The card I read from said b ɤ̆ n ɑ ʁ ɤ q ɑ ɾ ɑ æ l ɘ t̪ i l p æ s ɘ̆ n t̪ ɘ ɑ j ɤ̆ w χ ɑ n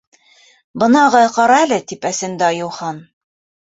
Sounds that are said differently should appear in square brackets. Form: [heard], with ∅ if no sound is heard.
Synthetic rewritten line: b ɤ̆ n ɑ ʁ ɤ q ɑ ɾ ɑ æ l ɘ t̪ i [∅] p æ s ɘ̆ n [d̪] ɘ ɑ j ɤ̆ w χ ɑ n